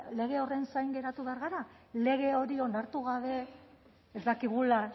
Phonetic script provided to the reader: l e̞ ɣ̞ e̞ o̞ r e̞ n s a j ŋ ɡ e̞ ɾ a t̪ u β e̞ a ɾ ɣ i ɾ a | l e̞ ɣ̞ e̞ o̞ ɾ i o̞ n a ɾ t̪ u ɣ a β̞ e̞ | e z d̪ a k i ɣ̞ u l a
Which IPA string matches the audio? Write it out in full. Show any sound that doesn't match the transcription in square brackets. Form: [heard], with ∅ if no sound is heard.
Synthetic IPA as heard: l e̞ ɣ̞ e̞ o̞ r e̞ n s a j ŋ ɡ e̞ ɾ a t̪ u β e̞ a ɾ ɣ [a] ɾ a | l e̞ ɣ̞ e̞ o̞ ɾ i o̞ n a ɾ t̪ u ɣ a β̞ e̞ | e z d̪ a k i ɣ̞ u l a